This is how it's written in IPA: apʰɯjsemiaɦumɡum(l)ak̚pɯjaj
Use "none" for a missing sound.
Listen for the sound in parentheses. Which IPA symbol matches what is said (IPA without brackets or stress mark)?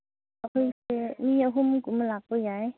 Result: l